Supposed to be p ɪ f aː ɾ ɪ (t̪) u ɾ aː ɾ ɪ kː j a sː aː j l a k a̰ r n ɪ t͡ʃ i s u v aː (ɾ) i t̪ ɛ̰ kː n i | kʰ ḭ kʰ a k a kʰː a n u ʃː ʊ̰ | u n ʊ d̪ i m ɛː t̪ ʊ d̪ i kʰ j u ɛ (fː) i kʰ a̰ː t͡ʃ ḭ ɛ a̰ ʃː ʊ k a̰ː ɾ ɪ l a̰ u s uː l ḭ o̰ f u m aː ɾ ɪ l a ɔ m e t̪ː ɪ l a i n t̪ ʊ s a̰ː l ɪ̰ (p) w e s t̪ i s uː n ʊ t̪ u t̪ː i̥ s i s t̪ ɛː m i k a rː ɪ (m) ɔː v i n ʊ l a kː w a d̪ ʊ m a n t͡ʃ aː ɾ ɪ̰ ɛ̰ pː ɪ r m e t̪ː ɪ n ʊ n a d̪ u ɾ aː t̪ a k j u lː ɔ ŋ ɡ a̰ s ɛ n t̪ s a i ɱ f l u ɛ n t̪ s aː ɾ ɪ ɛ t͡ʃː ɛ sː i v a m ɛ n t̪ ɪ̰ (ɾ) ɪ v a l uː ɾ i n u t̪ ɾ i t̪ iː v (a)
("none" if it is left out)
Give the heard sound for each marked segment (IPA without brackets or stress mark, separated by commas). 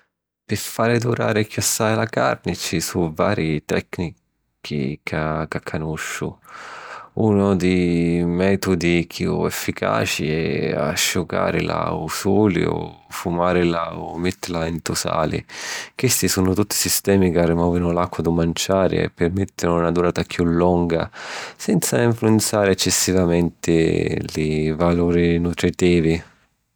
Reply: d̪, ɾ, fː, k, m, l, i